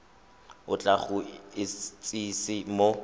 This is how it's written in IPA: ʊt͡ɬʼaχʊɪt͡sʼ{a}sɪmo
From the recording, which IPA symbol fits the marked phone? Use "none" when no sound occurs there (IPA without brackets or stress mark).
i